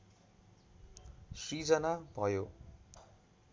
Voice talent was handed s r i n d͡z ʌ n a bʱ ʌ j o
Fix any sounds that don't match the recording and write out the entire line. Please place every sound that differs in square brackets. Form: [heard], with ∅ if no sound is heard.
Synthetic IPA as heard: s r i [∅] d͡z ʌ n a bʱ ʌ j o